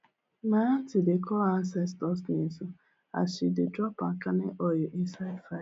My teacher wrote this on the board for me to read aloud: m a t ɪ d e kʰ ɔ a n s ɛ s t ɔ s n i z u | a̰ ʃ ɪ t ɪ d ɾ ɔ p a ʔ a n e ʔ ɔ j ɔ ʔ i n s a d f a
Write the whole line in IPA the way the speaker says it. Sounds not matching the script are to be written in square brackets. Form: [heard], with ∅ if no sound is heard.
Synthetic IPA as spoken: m a t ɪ d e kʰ ɔ a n s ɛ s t ɔ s n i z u | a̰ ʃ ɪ [d] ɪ d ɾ ɔ p a [k] a n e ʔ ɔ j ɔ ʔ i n s a d f a

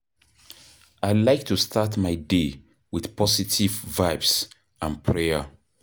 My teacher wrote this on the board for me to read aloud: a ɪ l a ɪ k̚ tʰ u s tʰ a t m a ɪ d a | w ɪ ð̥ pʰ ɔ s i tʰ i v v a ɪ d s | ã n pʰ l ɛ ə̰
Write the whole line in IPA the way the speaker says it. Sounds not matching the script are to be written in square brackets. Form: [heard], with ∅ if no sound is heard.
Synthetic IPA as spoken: a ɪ l a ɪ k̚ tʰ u s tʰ a t m a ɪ d [e] | w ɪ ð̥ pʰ ɔ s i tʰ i v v a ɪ [b] s | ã n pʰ [ɹ] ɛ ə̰

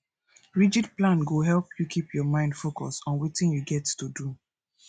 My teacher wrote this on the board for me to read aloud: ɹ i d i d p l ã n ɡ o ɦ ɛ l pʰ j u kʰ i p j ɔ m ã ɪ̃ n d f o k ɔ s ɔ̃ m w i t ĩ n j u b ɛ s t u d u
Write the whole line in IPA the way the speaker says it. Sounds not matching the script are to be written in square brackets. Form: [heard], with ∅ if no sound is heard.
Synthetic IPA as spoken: ɹ i [d͡ʒ] i d p l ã n ɡ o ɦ ɛ l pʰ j u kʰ i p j ɔ m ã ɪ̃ n d f o k ɔ s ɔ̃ [n] w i t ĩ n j u [ɡ] ɛ [t] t u d u

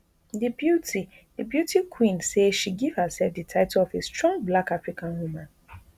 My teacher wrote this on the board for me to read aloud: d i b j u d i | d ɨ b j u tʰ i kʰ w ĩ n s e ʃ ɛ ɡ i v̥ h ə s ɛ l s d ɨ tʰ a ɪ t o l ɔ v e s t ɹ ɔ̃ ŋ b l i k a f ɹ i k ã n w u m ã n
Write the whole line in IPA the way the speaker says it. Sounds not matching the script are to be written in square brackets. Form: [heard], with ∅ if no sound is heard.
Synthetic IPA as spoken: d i b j u [t] i | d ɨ b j u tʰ i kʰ w ĩ n s e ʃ [i] ɡ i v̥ h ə s ɛ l [f] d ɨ tʰ a ɪ t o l ɔ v e s t ɹ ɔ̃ ŋ b l [a] k a f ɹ i k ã n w u m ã n

